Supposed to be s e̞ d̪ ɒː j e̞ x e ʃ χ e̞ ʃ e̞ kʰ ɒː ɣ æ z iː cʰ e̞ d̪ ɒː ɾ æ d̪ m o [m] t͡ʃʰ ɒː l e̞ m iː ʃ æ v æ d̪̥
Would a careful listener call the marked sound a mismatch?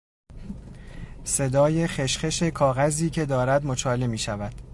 yes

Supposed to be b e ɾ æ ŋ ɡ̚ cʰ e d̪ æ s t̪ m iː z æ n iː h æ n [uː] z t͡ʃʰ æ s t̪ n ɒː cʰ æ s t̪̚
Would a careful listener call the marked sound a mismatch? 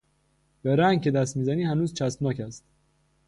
no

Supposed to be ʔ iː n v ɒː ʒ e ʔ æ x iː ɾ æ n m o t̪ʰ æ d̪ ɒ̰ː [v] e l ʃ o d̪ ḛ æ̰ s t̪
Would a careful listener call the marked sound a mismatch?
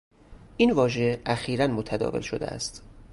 no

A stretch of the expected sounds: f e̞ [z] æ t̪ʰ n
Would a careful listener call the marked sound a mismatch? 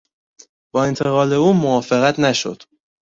yes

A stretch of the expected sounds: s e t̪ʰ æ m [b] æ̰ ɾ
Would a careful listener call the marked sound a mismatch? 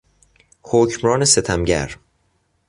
yes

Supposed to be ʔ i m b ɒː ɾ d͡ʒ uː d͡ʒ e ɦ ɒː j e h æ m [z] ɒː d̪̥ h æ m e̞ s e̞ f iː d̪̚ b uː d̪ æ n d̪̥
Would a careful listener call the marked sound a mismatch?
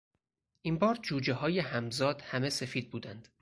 no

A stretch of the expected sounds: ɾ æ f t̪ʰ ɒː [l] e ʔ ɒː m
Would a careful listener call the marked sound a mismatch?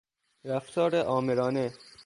yes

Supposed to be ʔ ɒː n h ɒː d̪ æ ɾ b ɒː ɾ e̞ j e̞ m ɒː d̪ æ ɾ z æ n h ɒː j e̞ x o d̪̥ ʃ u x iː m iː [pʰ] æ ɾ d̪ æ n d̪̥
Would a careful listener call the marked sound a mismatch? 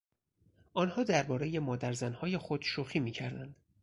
yes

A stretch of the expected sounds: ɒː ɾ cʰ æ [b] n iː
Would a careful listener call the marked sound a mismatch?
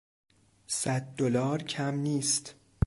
yes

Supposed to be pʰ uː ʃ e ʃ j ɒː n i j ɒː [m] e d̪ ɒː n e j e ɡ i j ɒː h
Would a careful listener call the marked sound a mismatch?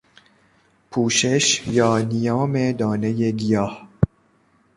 no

